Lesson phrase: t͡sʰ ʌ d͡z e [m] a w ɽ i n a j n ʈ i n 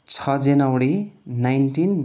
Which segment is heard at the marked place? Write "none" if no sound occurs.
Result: n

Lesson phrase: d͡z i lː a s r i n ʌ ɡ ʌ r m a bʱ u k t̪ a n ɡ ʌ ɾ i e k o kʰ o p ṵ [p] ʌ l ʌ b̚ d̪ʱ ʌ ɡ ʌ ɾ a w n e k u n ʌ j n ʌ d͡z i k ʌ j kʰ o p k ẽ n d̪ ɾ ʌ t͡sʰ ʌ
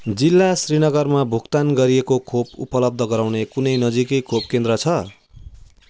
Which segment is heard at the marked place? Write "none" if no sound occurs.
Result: p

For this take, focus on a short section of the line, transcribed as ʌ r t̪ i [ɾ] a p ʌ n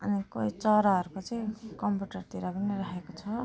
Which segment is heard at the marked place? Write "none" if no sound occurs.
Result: ɾ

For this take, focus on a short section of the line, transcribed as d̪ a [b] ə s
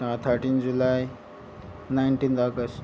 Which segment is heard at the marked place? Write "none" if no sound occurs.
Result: ɡ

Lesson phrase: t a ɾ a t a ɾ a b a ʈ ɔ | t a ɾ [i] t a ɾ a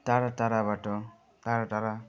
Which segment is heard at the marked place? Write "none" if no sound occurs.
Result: a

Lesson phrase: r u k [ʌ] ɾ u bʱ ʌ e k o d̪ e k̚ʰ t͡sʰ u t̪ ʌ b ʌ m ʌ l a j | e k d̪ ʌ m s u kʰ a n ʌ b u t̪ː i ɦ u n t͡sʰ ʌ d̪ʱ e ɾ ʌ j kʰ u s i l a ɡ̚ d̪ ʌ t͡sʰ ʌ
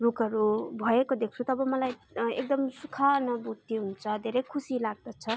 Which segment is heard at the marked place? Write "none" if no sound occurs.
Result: ʌ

